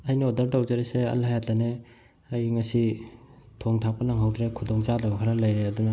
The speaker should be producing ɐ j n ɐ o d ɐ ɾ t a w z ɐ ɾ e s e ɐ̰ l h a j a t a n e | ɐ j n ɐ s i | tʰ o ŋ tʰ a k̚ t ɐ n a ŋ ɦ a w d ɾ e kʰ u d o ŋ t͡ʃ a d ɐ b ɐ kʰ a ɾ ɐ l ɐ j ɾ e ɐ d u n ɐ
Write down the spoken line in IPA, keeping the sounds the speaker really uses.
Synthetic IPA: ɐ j n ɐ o d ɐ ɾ t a w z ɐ ɾ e s e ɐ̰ l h a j a t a n e | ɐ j ŋ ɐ s i | tʰ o ŋ tʰ a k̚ p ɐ n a ŋ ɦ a w d ɾ e kʰ u d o ŋ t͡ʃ a d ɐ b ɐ kʰ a ɾ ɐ l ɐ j ɾ e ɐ d u n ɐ